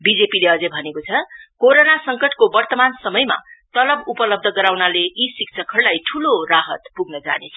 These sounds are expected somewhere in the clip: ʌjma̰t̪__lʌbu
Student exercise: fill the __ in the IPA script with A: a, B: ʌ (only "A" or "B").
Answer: B